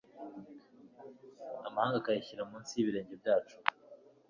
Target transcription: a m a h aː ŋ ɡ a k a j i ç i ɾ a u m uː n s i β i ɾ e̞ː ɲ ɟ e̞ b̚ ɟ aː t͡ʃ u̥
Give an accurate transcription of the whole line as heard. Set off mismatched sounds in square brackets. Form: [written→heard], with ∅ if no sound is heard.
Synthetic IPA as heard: a m a h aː ŋ ɡ a k a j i ç i ɾ a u m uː n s i β i ɾ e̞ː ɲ ɟ e̞ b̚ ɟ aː t͡ʃ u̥